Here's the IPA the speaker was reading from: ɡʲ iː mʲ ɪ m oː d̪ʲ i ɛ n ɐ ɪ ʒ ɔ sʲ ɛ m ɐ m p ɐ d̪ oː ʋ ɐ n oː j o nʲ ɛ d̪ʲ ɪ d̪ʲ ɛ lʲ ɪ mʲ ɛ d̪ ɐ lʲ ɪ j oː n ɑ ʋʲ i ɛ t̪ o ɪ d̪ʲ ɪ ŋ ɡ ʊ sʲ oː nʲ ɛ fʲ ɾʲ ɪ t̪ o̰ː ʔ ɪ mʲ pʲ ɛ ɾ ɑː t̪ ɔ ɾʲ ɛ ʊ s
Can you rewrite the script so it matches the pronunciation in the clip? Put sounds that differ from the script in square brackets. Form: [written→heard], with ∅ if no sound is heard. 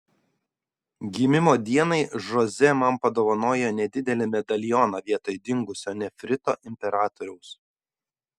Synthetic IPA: ɡʲ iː mʲ ɪ m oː d̪ʲ i ɛ n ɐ ɪ ʒ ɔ [sʲ→zʲ] ɛ m ɐ m p ɐ d̪ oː ʋ ɐ n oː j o nʲ ɛ d̪ʲ ɪ d̪ʲ ɛ lʲ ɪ mʲ ɛ d̪ ɐ lʲ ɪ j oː n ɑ ʋʲ i ɛ t̪ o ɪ d̪ʲ ɪ ŋ ɡ ʊ sʲ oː nʲ ɛ fʲ ɾʲ ɪ t̪ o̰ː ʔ ɪ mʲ pʲ ɛ ɾ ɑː t̪ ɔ ɾʲ ɛ ʊ s